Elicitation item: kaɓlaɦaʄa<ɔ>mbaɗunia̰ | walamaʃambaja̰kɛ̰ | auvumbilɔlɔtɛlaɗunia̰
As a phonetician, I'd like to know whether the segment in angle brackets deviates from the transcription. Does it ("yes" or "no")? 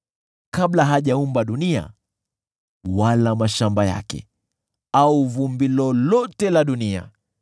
yes